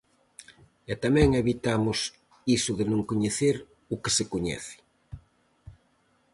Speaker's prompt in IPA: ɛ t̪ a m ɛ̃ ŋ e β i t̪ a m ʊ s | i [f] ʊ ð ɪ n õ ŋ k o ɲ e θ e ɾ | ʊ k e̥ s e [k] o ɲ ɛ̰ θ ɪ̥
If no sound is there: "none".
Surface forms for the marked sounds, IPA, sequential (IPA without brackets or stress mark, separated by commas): s, k